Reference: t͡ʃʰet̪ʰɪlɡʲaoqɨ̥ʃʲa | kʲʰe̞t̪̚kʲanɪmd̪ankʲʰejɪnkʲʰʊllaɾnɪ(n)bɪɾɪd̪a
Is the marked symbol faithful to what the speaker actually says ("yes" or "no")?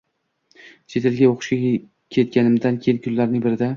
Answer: no